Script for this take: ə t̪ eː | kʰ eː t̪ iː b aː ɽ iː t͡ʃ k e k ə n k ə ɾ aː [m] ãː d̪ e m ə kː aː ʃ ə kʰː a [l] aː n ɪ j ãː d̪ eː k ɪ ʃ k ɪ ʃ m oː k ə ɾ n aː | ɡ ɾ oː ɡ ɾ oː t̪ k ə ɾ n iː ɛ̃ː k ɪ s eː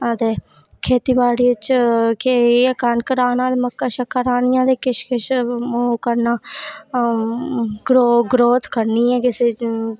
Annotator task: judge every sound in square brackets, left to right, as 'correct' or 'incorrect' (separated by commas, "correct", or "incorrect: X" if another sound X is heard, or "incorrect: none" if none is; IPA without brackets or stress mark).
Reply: incorrect: n, incorrect: ɾ